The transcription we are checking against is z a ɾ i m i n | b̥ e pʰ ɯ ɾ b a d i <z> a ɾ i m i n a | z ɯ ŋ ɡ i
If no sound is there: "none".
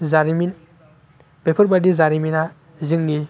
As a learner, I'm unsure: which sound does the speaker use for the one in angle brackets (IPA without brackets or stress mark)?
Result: z